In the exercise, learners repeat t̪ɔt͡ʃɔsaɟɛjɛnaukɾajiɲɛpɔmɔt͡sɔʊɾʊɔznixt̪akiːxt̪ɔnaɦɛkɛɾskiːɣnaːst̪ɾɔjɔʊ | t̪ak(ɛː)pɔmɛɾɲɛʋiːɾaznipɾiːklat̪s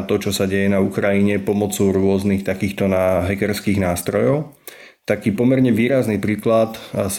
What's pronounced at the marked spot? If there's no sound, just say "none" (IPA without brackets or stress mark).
iː